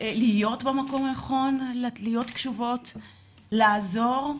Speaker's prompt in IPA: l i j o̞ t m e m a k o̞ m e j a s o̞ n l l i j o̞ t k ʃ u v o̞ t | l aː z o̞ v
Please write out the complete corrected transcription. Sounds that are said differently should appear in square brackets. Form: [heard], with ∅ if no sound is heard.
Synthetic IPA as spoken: l i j o̞ t [b] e m a k o̞ m [a] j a [χ] o̞ n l l i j o̞ t k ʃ u v o̞ t | l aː z o̞ [ʁ]